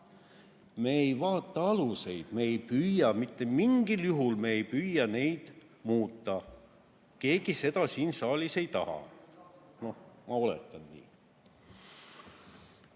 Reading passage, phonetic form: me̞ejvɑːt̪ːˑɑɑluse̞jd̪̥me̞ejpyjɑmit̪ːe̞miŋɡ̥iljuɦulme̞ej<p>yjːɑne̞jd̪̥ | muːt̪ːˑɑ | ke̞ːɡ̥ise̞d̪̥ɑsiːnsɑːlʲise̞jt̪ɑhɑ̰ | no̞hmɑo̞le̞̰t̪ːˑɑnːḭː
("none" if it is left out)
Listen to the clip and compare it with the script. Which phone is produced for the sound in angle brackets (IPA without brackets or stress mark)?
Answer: p